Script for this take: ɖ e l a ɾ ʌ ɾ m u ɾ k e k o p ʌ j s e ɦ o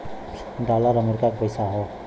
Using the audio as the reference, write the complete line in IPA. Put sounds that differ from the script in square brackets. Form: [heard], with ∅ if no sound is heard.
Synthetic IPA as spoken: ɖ [a] l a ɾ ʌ [∅] m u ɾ k [a] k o p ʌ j s [a] ɦ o